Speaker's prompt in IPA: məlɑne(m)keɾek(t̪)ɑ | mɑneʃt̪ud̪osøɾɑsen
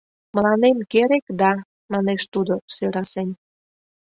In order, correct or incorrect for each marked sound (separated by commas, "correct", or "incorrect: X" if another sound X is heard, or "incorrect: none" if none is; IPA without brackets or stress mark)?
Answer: correct, incorrect: d̪